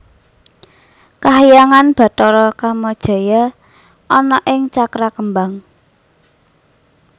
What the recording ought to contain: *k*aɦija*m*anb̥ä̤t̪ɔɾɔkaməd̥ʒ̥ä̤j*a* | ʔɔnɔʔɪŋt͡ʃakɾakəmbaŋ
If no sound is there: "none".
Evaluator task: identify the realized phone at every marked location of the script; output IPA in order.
k, ŋ, a

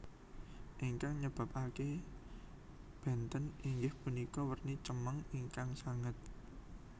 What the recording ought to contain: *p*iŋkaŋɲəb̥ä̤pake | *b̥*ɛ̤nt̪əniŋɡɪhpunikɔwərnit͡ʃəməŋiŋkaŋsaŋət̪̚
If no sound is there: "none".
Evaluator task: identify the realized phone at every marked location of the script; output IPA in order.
ʔ, b̥

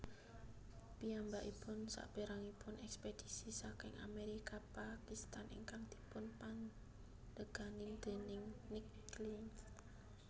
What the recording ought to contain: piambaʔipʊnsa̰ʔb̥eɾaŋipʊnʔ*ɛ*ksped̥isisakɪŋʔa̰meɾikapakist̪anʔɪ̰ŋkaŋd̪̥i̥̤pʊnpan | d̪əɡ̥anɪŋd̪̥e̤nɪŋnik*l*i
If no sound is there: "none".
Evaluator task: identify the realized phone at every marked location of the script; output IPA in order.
ɛ, l

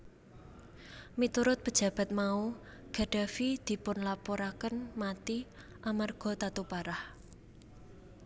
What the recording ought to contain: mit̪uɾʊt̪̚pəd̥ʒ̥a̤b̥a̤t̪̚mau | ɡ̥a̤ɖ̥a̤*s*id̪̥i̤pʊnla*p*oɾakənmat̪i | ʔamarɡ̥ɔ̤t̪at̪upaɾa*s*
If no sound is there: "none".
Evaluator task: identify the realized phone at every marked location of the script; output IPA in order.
f, p, h

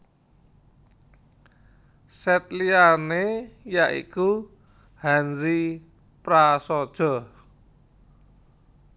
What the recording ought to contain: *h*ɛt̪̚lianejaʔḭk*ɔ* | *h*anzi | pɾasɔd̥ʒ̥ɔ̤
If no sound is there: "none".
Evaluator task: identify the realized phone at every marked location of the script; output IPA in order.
s, u, h

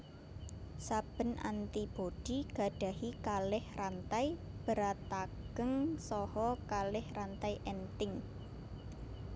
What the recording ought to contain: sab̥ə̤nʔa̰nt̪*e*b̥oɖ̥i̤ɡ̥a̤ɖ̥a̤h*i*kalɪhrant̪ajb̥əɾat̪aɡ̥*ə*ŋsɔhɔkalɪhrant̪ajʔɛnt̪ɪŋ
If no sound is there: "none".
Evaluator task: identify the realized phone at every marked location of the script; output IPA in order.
i, i, ə

